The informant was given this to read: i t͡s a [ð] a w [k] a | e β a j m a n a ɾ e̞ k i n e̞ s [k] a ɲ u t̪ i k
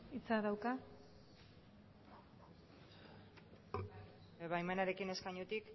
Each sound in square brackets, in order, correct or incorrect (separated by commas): correct, correct, correct